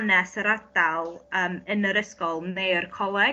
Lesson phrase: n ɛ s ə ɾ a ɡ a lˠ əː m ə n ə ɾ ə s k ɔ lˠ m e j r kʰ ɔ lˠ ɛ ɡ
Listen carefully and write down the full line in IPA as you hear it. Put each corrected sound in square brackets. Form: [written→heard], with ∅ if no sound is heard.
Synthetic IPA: n ɛ s ə ɾ a [ɡ→d] a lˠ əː m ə n ə ɾ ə s k ɔ lˠ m e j r kʰ ɔ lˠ ɛ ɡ